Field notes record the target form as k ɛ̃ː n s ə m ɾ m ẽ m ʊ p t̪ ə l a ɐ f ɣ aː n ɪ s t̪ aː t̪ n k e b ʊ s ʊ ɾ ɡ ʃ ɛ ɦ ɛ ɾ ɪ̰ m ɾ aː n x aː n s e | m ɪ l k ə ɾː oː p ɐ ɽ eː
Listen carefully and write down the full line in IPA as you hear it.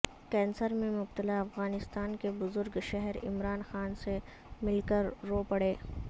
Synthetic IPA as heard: k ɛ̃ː n s ə ɾ m ẽ m ʊ b t̪ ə l a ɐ f ɣ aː n ɪ s t̪ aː n k e b ʊ z ʊ ɾ ɡ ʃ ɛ ɦ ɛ ɾ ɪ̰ m ɾ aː n x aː n s e | m ɪ l k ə ɾː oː p ɐ ɽ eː